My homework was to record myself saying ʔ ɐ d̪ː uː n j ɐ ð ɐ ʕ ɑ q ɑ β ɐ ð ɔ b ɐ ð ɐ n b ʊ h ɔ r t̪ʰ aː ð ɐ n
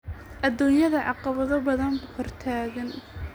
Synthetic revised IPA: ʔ ɐ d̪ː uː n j ɐ ð ɐ ʕ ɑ q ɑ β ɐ ð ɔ b ɐ ð ɐ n b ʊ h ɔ r t̪ʰ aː ɣ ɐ n